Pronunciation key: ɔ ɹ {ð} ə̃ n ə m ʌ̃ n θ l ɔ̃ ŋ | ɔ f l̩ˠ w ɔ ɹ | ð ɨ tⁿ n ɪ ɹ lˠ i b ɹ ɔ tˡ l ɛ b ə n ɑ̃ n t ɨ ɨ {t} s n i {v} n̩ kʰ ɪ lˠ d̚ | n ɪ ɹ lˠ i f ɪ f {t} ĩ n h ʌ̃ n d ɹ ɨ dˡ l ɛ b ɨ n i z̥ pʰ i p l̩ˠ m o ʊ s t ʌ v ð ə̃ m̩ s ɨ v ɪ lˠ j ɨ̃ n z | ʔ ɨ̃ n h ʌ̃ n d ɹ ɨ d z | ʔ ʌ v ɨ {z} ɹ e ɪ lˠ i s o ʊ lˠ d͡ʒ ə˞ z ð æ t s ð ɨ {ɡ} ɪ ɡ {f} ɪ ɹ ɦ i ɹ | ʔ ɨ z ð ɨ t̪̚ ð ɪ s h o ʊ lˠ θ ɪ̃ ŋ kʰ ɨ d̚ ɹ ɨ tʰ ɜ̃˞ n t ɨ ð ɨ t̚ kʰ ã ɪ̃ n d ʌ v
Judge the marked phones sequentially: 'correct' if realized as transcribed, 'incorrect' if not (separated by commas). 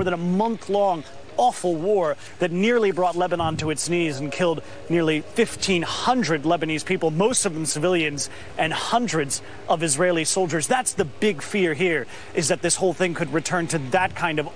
correct, correct, incorrect, incorrect, correct, incorrect, correct